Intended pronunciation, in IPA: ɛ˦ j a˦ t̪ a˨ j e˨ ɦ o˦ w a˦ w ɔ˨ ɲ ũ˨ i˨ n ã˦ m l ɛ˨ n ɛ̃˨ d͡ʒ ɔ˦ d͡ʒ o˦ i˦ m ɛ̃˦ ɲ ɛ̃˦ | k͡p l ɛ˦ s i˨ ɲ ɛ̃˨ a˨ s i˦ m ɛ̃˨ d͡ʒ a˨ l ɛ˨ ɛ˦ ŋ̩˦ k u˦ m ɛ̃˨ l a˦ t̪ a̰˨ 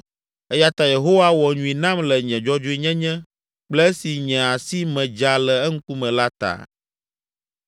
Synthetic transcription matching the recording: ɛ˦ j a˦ t̪ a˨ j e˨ ɦ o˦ w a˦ w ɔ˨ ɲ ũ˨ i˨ n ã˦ m l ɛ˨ ɲ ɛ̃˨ d͡ʒ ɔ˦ d͡ʒ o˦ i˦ ɲ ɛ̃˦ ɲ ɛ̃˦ | k͡p l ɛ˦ s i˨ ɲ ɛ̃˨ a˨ s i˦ m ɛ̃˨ d͡ʒ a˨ l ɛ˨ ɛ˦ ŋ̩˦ k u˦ m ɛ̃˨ l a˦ t̪ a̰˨